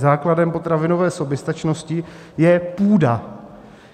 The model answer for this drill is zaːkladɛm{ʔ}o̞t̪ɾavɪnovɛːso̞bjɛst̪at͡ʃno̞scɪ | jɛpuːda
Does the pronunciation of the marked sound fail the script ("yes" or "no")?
yes